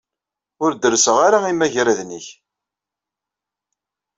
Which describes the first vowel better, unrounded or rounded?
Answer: rounded